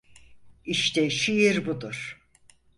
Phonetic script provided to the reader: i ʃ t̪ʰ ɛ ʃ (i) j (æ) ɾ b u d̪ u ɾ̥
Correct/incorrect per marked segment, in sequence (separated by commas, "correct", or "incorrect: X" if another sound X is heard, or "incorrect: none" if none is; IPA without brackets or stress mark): correct, incorrect: i